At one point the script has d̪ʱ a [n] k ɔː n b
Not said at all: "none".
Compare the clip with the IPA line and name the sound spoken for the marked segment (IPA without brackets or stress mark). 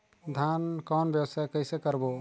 n